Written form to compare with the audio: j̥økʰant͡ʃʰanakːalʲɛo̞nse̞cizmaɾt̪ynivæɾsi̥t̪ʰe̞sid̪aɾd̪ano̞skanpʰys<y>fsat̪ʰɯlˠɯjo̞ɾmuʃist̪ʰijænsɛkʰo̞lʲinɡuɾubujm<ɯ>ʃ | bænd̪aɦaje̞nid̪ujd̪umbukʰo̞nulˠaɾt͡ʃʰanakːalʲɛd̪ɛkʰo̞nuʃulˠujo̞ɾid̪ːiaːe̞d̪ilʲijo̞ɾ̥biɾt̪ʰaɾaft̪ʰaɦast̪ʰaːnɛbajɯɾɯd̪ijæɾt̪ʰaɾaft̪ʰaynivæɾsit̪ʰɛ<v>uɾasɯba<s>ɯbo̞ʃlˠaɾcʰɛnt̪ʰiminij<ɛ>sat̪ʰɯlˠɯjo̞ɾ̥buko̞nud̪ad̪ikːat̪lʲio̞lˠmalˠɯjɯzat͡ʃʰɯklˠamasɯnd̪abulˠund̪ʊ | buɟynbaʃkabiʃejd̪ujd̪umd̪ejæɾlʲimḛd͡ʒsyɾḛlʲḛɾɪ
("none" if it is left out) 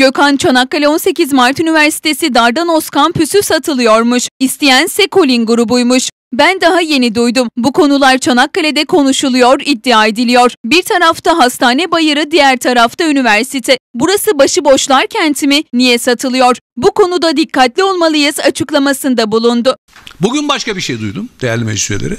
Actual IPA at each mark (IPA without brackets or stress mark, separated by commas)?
y, u, b, ʃ, ɛ